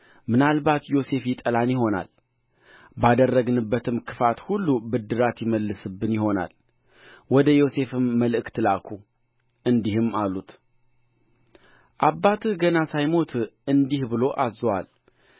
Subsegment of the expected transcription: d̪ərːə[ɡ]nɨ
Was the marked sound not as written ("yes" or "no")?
no